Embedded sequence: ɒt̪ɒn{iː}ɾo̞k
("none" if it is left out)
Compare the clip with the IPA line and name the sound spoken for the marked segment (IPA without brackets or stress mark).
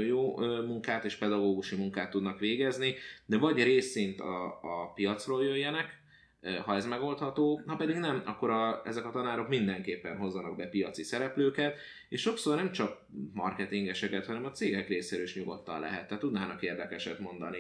aː